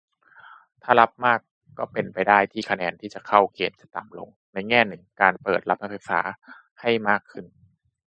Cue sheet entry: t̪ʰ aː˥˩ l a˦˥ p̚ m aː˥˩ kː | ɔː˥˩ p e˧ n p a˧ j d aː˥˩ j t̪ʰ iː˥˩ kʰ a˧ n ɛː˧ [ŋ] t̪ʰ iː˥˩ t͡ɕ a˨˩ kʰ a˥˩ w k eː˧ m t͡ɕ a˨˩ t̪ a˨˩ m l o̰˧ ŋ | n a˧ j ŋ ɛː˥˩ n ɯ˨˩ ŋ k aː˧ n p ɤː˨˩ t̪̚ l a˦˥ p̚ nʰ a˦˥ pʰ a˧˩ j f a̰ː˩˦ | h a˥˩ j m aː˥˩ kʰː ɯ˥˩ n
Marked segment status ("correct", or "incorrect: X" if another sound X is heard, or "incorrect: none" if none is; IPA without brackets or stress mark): incorrect: n